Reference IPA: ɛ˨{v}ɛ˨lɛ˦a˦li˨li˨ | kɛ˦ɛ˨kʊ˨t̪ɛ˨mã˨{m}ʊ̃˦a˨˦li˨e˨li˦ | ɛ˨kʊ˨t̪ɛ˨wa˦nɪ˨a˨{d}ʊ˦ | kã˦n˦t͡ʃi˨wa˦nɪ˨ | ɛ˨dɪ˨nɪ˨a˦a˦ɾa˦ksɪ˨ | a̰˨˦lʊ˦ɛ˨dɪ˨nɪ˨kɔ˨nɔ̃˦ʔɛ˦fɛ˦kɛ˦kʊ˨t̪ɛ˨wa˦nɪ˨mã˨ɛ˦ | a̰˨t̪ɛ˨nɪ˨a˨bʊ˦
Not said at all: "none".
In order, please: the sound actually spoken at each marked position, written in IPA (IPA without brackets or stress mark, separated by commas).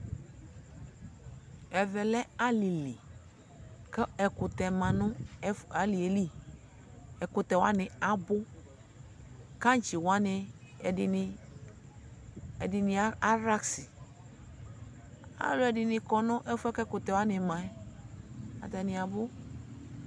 v, n, b